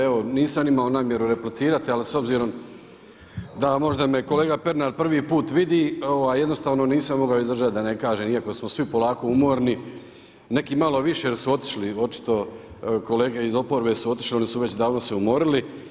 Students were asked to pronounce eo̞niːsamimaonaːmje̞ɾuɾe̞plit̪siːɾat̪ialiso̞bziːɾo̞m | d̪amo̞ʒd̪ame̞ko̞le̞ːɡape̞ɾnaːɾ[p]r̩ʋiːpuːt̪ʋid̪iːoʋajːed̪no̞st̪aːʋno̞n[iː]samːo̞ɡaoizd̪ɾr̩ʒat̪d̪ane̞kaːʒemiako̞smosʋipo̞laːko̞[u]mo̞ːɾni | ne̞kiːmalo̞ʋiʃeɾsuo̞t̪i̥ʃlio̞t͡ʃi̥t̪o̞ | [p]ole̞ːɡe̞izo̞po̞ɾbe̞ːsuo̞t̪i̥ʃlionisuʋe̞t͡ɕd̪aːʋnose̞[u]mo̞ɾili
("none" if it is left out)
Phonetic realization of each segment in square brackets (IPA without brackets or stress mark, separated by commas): p, iː, u, k, u